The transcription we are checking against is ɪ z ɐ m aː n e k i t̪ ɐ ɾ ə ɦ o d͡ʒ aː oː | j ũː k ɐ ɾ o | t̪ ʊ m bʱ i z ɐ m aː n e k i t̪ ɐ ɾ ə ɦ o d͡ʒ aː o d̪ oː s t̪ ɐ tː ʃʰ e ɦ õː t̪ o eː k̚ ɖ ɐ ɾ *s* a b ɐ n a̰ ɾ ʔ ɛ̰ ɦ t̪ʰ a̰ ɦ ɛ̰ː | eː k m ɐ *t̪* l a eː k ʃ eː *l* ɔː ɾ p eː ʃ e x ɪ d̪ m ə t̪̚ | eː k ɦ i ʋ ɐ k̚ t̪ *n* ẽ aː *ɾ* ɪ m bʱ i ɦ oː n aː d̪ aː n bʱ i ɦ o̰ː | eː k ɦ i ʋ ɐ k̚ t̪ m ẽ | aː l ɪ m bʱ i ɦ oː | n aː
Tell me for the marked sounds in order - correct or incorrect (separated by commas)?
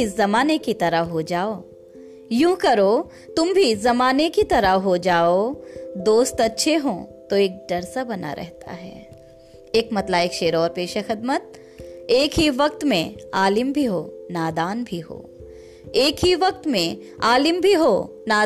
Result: correct, correct, incorrect, incorrect, incorrect